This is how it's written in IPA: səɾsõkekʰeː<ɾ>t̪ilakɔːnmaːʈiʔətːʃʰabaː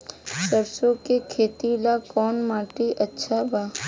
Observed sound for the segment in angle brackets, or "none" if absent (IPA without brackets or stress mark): none